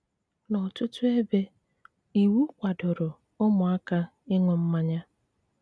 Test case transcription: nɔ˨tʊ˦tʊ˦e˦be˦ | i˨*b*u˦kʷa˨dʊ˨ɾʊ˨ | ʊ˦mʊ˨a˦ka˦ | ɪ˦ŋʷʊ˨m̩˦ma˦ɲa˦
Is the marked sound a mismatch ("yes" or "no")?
yes